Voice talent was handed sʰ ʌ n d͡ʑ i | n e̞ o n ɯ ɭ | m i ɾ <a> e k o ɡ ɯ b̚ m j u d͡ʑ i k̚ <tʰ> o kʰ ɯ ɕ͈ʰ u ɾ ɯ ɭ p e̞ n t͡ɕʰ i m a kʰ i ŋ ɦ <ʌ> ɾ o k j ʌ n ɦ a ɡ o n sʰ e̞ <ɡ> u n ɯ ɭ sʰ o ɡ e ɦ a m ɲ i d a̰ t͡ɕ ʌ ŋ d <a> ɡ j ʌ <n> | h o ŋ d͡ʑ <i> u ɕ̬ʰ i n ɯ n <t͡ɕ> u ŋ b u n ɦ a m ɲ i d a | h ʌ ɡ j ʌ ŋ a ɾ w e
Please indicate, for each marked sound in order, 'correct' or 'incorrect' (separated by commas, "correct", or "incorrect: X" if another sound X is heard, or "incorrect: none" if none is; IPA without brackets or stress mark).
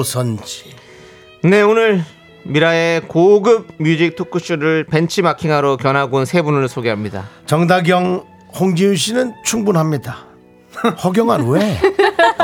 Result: correct, correct, incorrect: a, incorrect: b, correct, incorrect: ŋ, correct, incorrect: t͡ɕʰ